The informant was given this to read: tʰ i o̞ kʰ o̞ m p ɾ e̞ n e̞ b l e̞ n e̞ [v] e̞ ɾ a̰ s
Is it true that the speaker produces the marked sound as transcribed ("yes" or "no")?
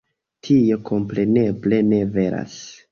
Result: yes